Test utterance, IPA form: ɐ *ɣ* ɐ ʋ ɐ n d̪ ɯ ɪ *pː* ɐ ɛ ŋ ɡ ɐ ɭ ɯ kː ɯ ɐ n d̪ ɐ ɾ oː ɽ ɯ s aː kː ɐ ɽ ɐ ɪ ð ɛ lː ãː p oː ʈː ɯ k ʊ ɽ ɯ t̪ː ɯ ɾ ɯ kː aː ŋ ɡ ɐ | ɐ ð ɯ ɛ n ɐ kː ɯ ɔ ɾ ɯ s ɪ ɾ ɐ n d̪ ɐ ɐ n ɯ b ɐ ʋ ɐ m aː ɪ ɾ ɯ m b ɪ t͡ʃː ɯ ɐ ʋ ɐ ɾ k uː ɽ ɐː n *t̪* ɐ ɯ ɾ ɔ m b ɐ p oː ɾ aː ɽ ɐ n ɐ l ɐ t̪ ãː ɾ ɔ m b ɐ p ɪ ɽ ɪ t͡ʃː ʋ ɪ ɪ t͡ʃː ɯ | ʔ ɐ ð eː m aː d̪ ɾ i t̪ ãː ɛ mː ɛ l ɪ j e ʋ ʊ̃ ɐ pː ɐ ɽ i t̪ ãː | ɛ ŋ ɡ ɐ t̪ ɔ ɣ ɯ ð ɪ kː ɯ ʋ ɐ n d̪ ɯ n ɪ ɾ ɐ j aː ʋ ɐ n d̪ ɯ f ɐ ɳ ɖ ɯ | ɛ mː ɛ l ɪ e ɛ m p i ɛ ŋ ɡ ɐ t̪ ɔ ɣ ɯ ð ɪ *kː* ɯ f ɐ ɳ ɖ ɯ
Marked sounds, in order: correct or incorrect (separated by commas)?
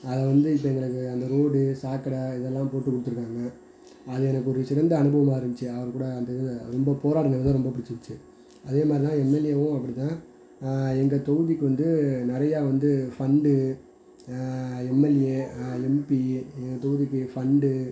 incorrect, correct, incorrect, correct